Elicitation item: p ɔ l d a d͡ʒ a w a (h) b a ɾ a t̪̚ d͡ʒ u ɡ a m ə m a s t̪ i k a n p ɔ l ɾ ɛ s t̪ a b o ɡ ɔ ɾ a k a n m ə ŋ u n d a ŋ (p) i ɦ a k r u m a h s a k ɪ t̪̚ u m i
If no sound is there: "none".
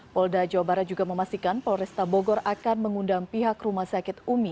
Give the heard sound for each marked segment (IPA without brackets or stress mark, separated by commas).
none, p